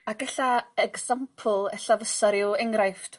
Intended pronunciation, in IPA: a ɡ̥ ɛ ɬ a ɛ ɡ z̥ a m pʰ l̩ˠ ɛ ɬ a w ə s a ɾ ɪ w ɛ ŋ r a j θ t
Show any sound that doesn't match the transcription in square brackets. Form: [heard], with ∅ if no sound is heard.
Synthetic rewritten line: a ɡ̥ ɛ ɬ a ɛ ɡ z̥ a m pʰ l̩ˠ ɛ ɬ a [v] ə s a ɾ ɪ w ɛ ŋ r a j [f] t